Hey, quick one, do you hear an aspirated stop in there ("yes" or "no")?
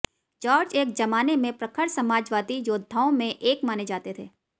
yes